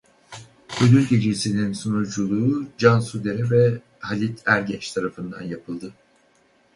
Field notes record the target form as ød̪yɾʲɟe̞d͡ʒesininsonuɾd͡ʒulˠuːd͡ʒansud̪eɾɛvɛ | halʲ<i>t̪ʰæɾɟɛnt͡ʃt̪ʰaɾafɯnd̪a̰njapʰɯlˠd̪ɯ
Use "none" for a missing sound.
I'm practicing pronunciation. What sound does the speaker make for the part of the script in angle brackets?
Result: i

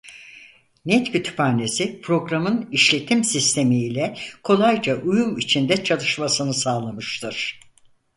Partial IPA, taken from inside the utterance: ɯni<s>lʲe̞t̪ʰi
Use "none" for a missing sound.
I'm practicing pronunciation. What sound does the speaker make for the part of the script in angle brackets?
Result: ʃ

